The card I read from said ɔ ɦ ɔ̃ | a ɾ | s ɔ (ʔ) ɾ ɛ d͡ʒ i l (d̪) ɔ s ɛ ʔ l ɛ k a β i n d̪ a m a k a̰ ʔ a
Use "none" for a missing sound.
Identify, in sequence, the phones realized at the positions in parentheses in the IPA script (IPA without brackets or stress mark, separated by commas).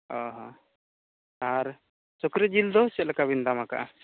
k, d̪